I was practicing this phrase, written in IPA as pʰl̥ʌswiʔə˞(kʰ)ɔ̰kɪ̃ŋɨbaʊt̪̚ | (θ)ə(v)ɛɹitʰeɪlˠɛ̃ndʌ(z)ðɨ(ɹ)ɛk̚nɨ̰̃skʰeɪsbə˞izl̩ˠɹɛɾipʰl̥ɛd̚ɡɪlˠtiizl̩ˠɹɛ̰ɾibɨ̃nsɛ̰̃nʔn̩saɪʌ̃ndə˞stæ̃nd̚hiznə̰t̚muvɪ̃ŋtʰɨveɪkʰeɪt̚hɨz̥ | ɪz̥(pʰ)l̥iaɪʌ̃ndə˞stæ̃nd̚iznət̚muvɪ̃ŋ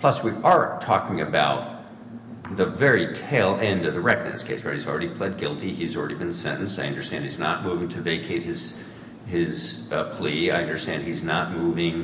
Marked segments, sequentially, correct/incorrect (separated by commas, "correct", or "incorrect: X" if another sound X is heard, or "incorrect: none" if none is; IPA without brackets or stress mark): incorrect: tʰ, incorrect: ð, correct, incorrect: v, correct, correct